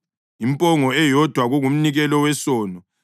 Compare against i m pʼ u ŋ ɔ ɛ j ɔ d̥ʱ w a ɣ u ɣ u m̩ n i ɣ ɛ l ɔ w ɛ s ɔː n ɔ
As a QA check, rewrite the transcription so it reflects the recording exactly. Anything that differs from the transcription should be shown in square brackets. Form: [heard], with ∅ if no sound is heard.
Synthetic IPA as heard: i m pʼ [ɔ] ŋ ɔ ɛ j ɔ d̥ʱ w a ɣ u ɣ u m̩ n i ɣ ɛ l ɔ w ɛ s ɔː n ɔ

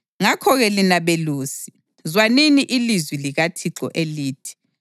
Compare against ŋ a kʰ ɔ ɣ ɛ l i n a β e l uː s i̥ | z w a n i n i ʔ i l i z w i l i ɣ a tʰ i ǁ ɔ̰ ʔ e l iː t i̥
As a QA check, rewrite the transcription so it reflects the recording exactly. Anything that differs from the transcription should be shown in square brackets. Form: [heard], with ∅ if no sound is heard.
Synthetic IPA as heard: ŋ a kʰ ɔ ɣ ɛ l i n a β e l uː s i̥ | z w a n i n i ʔ i l i z w i l i ɣ a tʰ i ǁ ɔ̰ ʔ e l iː [tʰ] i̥

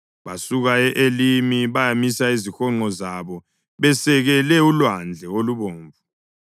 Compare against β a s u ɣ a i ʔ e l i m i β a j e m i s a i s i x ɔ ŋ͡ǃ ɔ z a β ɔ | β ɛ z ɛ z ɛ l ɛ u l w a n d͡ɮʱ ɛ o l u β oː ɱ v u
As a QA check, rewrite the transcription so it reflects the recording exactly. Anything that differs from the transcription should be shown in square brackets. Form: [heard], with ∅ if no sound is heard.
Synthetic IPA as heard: β a s u ɣ a [ɛ] ʔ e l i m i β a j [a] m i s a i [z] i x ɔ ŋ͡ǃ ɔ z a β ɔ | β ɛ [s] ɛ [ɣ] ɛ l ɛ u l w a n d͡ɮʱ ɛ o l u β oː ɱ v u

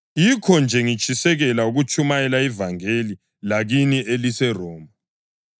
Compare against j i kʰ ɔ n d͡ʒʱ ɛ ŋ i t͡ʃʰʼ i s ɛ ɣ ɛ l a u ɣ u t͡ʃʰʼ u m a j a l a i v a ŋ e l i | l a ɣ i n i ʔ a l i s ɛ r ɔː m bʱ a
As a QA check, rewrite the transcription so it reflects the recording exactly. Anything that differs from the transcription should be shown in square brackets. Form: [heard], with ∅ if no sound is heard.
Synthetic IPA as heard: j i kʰ ɔ n d͡ʒʱ ɛ ŋ i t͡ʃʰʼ i s ɛ ɣ ɛ l a u ɣ u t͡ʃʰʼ u m a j [ɛ] l a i v a ŋ e l i | l a ɣ i n i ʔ [e] l i s ɛ r ɔː m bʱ a

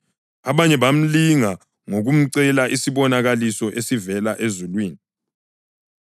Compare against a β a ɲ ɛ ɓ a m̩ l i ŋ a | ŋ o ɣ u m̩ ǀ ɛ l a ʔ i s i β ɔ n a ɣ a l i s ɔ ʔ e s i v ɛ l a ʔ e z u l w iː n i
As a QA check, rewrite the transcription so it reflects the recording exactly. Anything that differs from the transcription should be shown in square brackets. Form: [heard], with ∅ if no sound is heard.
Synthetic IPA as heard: a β a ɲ ɛ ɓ a m̩ l i ŋ a | ŋ o ɣ u m̩ ǀ ɛ l a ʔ i s i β ɔ n a ɣ a l i s ɔ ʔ e s i v ɛ l a ʔ e z u l w iː n i

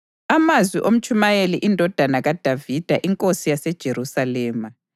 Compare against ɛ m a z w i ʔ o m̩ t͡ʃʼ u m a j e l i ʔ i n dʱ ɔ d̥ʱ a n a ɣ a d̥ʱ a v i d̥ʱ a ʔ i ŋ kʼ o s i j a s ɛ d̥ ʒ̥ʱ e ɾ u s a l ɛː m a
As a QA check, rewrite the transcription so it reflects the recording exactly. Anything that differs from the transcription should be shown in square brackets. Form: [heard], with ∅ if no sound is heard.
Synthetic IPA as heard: [a] m a z w i ʔ o m̩ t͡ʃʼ u m a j e l i ʔ i n dʱ ɔ d̥ʱ a n a ɣ a d̥ʱ a v i d̥ʱ a ʔ i ŋ kʼ o s i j a s ɛ d̥ ʒ̥ʱ e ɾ u s a l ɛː m a

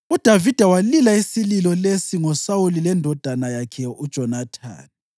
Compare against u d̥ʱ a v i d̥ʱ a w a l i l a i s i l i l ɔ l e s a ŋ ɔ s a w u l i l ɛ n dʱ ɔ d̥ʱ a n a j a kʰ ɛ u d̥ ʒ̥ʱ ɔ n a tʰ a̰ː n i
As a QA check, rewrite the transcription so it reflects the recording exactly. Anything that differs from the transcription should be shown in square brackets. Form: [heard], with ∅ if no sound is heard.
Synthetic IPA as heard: u d̥ʱ a v i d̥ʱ a w a l i l a i s i l i l ɔ l e s [i] ŋ ɔ s a w u l i l ɛ n dʱ ɔ d̥ʱ a n a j a kʰ ɛ u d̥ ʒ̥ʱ ɔ n a tʰ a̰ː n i

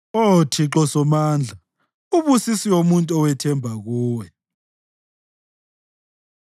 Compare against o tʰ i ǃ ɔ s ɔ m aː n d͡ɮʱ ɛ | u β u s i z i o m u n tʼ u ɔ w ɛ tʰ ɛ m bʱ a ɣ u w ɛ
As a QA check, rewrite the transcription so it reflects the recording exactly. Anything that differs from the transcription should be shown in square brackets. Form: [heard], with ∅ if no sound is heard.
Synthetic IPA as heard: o tʰ i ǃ ɔ s ɔ m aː n d͡ɮʱ [a] | u β u s i [s] i o m u n tʼ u ɔ w ɛ tʰ ɛ m bʱ a ɣ [uː] w ɛ

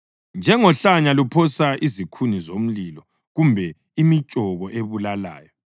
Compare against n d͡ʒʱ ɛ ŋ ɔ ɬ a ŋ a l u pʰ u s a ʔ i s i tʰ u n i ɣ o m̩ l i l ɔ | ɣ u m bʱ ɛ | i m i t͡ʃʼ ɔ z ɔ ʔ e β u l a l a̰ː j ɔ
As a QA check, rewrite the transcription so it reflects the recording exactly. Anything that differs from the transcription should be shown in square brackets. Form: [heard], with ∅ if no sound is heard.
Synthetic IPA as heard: n d͡ʒʱ ɛ ŋ ɔ ɬ a [ɲ] a l u pʰ [ɔ] s a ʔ i [z] i [kʰ] u n i [z] o m̩ l i l ɔ | ɣ u m bʱ ɛ | i m i t͡ʃʼ ɔ [ɣ] ɔ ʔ e β u l a l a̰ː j ɔ

